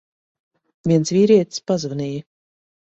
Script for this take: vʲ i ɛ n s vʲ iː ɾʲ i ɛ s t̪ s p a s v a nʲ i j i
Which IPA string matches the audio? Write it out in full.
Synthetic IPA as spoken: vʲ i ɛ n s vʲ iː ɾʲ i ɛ t̪ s p a z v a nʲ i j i

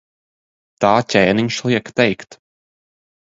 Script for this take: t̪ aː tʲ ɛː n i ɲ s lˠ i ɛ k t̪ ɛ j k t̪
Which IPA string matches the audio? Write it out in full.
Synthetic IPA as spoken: t̪ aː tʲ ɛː n i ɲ ʃ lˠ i ɛ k t̪ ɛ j k t̪

